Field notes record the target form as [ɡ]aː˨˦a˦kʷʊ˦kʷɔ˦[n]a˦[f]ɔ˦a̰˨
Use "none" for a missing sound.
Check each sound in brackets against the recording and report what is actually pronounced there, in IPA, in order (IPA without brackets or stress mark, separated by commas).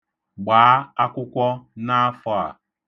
ɡ͡b, n, f